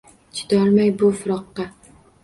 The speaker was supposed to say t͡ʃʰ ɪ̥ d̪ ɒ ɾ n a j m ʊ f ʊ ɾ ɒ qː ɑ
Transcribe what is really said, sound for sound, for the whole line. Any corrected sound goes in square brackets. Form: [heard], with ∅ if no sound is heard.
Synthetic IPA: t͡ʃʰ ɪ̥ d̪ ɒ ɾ [m] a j [b] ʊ f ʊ ɾ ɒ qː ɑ